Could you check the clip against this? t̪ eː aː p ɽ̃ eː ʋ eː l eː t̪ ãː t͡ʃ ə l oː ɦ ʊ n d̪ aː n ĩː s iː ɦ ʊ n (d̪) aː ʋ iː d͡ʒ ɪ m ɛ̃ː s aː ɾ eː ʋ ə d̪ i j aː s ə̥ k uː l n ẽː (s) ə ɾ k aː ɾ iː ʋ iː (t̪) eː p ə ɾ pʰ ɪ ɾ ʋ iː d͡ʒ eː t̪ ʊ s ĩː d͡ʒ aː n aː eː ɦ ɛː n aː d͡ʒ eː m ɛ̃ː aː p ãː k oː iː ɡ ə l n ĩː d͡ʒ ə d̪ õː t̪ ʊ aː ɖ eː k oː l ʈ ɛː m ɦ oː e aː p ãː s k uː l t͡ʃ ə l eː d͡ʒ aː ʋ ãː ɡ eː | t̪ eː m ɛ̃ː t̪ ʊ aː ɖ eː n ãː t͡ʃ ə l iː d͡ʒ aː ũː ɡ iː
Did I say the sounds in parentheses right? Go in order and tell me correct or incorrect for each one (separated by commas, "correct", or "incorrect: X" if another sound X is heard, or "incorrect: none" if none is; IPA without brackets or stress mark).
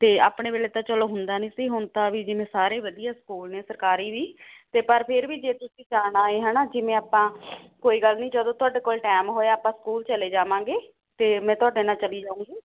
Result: incorrect: t̪, correct, correct